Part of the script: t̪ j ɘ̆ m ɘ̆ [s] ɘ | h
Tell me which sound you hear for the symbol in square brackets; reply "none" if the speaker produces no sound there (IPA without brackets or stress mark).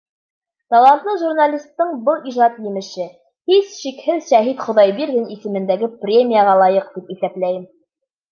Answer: ʃ